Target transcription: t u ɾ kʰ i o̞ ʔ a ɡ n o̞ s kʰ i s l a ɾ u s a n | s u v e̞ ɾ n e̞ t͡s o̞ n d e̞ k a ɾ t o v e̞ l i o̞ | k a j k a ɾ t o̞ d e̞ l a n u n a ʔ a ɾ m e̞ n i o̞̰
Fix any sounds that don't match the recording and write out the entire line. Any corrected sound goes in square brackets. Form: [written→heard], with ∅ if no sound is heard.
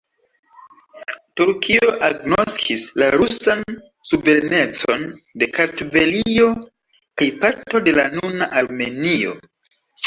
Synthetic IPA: t u ɾ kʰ i o̞ ʔ a ɡ n o̞ s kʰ i s l a ɾ u s a n | s u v e̞ ɾ n e̞ t͡s o̞ n d e̞ k a ɾ t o v e̞ l i o̞ | k a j [k→p] a ɾ t o̞ d e̞ l a n u n a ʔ a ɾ m e̞ n i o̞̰